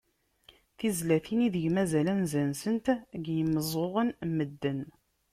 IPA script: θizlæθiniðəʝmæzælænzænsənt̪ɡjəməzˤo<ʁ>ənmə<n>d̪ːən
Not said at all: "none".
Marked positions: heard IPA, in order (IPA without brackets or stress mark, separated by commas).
ʁ, none